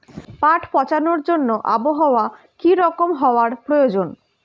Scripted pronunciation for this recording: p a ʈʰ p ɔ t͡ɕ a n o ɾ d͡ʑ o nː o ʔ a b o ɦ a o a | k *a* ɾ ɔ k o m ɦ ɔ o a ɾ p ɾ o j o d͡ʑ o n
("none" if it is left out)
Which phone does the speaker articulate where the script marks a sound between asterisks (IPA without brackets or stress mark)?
i